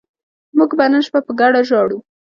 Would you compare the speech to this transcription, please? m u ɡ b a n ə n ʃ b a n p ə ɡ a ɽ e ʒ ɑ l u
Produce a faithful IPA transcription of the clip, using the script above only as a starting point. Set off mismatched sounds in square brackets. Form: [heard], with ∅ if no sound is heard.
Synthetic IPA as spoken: m u ɡ b a n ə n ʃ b a [∅] p ə ɡ a ɽ [a] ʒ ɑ [ɽ] u